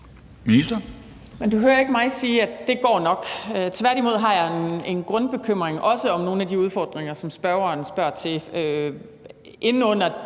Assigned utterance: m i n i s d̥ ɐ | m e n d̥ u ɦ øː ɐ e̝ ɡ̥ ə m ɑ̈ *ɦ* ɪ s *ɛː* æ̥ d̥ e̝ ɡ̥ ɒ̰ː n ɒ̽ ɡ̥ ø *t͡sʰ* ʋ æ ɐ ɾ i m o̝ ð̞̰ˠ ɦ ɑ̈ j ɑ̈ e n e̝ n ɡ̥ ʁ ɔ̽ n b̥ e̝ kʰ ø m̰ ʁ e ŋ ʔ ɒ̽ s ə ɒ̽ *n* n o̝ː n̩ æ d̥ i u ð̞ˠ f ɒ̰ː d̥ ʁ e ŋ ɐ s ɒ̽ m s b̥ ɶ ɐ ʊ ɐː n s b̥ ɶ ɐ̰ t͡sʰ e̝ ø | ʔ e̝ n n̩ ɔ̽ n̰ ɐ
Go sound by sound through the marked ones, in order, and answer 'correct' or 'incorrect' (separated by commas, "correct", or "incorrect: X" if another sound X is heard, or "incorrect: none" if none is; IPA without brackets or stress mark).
incorrect: none, incorrect: iː, correct, incorrect: m